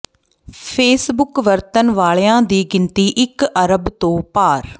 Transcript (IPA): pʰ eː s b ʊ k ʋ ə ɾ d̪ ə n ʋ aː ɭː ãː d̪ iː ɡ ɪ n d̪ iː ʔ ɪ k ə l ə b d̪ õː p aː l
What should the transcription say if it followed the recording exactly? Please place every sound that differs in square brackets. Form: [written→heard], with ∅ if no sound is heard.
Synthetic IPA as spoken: pʰ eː s b ʊ k ʋ ə ɾ [d̪→t̪] ə n ʋ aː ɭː ãː d̪ iː ɡ ɪ n [d̪→t̪] iː ʔ ɪ k ə [l→ɾ] ə b [d̪→t̪] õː p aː [l→ɾ]